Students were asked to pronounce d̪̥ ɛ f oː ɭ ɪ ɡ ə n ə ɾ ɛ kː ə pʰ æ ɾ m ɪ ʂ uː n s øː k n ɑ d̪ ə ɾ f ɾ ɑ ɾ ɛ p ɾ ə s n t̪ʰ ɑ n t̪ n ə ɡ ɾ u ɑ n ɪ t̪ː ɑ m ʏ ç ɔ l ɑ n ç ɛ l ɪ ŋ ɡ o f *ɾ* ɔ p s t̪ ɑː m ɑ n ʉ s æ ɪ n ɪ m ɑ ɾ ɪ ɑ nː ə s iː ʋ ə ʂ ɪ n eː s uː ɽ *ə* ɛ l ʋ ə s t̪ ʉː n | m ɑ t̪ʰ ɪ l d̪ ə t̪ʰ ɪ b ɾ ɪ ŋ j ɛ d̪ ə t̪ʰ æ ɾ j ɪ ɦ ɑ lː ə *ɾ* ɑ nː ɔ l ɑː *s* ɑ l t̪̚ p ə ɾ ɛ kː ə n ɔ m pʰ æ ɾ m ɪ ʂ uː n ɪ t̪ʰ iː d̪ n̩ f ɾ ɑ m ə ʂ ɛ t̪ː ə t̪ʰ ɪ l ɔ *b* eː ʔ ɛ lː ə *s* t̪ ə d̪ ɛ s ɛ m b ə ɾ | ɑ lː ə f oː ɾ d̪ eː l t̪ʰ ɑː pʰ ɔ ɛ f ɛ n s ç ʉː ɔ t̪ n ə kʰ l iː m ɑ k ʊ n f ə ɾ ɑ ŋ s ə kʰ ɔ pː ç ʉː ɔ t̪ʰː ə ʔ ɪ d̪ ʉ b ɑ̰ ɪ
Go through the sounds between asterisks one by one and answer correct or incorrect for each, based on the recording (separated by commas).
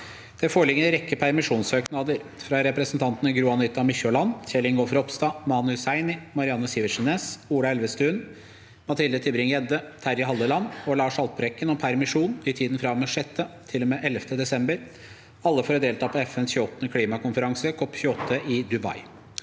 correct, incorrect, incorrect, incorrect, incorrect, incorrect